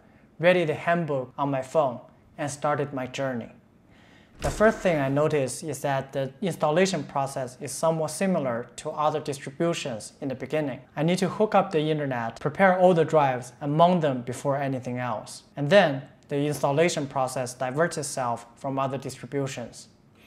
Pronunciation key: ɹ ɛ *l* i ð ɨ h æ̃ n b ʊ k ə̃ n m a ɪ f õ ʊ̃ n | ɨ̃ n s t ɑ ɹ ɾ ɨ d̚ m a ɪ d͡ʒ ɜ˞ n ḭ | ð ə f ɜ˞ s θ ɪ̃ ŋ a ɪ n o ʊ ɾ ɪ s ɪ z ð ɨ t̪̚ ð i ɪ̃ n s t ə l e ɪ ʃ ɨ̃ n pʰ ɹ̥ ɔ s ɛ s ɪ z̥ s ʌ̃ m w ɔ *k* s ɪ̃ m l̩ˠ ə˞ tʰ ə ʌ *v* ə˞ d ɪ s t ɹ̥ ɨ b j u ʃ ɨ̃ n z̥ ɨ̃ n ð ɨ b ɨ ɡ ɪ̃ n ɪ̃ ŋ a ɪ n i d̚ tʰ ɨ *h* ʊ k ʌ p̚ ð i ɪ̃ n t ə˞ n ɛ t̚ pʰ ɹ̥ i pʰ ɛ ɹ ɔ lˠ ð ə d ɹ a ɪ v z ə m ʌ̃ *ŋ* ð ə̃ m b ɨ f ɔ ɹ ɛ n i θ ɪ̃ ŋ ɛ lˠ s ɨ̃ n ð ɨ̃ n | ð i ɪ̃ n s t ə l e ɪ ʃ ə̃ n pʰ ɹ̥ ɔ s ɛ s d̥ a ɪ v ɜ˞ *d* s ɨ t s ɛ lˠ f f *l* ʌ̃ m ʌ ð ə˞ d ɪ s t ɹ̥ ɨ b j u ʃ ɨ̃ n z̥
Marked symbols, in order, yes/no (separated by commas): no, no, no, yes, yes, no, no